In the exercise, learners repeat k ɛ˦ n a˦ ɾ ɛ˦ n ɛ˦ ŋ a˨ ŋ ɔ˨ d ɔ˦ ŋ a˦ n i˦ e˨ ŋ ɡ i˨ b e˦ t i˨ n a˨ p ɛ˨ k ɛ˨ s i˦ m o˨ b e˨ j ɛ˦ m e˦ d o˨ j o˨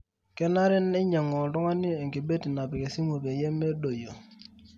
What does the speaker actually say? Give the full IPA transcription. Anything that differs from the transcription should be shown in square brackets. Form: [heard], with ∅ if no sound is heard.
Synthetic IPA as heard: k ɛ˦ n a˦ ɾ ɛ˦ n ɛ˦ [ɲ] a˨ ŋ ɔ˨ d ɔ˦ ŋ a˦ n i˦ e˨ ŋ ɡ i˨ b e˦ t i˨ n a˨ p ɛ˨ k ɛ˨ s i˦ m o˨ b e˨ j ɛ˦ m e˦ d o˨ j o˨